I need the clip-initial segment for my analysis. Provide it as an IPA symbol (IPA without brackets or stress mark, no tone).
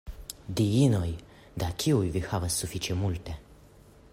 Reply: d̪